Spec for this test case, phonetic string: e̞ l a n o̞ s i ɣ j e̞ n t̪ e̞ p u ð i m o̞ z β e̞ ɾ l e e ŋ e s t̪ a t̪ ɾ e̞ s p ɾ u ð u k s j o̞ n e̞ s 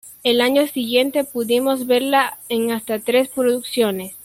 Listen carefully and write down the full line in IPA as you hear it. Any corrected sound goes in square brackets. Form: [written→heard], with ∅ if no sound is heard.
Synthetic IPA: e̞ l a [n→ɲ] o̞ s i ɣ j e̞ n t̪ e̞ p u ð i m o̞ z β e̞ ɾ l [e→a] e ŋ [e→a] s t̪ a t̪ ɾ e̞ s p ɾ [u→o] ð u k s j o̞ n e̞ s

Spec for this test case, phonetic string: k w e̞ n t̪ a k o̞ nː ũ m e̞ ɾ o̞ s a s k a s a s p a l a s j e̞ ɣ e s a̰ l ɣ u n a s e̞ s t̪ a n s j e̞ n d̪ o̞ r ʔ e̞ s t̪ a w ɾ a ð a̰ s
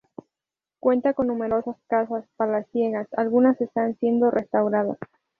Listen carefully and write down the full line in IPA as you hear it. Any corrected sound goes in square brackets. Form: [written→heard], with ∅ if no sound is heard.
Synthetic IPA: k w e̞ n t̪ a k o̞ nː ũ m e̞ ɾ o̞ s a s k a s a s p a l a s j e̞ ɣ [e→a] s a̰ l ɣ u n a s e̞ s t̪ a n s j e̞ n d̪ o̞ r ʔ e̞ s t̪ a w ɾ a ð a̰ s

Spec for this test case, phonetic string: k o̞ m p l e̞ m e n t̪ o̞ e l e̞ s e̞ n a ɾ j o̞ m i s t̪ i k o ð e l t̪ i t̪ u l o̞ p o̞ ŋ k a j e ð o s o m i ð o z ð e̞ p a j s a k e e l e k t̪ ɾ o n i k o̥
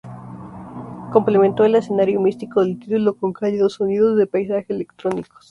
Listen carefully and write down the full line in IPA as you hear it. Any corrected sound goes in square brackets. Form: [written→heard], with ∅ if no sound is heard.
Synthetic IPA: k o̞ m p l e̞ m e n t̪ o̞ e l e̞ s e̞ n a ɾ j o̞ m i s t̪ i k o ð e l t̪ i t̪ u l o̞ [p→k] o̞ ŋ k a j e ð o s o [m→n] i ð o z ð e̞ p a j s a [k→x] e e l e k t̪ ɾ o n i k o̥

